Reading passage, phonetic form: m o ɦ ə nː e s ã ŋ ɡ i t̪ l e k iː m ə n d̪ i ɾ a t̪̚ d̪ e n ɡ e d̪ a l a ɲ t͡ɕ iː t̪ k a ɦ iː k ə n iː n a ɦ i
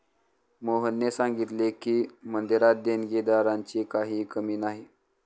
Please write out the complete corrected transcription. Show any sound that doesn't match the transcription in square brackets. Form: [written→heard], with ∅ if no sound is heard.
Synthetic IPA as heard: m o ɦ ə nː e s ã ŋ ɡ i t̪ l e k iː m ə n d̪ i ɾ a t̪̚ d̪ e n ɡ e d̪ a [l→ɾ] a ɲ t͡ɕ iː [t̪→∅] k a ɦ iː k ə [n→m] iː n a ɦ i